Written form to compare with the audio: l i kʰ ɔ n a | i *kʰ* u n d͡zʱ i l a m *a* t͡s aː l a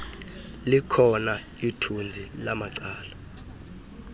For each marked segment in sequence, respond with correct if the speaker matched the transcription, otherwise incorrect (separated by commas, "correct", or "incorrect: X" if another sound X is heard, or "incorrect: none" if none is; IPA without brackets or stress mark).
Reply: incorrect: tʰ, correct